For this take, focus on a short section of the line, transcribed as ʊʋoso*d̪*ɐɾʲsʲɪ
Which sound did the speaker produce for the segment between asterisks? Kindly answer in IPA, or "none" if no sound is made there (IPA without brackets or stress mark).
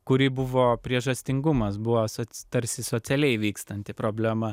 t̪